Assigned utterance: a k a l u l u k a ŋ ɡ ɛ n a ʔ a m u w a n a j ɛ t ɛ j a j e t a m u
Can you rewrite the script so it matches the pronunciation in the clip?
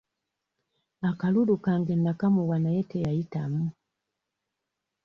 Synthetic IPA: a k a l u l u k a ŋ ɡ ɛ n a k a m u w a n a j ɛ t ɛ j a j i t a m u